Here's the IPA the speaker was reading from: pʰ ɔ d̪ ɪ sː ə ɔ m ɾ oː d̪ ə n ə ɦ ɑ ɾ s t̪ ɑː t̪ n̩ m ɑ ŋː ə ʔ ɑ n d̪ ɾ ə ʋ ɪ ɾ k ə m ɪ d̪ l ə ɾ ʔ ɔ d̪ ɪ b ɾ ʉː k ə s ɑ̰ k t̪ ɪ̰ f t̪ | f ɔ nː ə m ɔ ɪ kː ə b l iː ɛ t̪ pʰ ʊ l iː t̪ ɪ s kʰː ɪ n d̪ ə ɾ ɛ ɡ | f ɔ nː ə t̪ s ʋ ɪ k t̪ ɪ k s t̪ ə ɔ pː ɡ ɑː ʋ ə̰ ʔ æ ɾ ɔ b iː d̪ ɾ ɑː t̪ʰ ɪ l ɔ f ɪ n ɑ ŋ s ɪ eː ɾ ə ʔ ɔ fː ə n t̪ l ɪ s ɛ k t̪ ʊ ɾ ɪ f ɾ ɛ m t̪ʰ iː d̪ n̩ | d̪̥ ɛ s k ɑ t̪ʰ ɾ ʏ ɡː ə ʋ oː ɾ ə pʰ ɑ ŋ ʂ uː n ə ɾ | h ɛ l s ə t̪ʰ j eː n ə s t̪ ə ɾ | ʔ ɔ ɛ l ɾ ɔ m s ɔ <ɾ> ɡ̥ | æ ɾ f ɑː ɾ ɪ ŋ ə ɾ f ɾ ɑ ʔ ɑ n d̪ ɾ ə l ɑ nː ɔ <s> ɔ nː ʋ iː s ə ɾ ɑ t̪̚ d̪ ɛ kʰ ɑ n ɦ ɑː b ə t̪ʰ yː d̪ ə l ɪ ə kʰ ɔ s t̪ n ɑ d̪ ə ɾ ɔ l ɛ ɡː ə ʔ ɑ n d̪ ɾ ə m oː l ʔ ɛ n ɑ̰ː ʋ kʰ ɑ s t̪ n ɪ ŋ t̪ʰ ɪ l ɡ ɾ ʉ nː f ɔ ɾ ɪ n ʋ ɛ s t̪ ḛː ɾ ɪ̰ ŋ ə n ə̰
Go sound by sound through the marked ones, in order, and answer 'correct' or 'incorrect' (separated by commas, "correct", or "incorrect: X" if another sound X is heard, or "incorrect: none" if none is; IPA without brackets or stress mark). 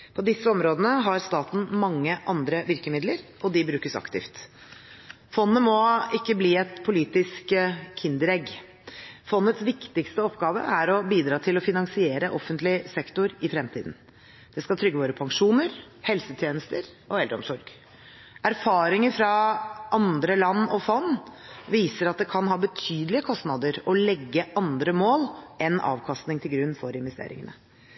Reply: correct, incorrect: f